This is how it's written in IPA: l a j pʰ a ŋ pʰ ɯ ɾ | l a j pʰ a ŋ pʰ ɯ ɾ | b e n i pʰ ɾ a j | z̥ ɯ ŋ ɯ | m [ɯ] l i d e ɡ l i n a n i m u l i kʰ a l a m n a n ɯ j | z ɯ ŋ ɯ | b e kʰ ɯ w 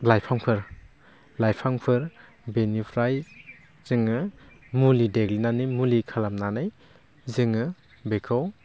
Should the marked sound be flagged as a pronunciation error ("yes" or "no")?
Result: yes